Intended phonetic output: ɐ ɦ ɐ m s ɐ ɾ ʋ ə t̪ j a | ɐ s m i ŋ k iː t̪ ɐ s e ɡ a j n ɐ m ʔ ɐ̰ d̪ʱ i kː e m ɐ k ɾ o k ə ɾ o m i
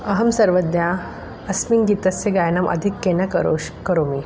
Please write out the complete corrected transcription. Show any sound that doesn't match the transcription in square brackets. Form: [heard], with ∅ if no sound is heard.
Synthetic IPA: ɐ ɦ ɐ m s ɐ ɾ ʋ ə [d̪] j a | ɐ s m i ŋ [ɡ] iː t̪ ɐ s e ɡ a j n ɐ m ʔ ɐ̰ d̪ʱ i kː e [n] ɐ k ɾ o k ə ɾ o m i